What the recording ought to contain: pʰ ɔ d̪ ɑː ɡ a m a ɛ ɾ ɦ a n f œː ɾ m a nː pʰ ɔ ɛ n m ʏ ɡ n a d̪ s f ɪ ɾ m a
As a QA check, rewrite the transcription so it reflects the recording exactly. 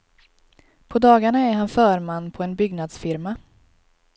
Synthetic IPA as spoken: pʰ ɔ d̪ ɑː ɡ a ɳ a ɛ ɾ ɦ a n f œː ɾ m a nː pʰ ɔ ɛ n b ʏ ɡ n a d̪ s f ɪ ɾ m a